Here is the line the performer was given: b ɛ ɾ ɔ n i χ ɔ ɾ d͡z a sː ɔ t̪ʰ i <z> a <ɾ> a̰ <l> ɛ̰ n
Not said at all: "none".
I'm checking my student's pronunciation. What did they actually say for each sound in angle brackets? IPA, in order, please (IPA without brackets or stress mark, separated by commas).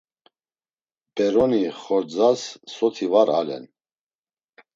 v, ɾ, l